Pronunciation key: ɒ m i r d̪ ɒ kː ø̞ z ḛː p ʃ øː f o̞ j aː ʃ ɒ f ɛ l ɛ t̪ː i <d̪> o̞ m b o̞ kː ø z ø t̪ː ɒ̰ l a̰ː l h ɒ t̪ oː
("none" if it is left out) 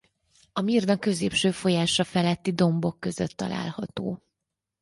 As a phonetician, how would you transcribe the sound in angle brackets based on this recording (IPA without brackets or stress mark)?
d̪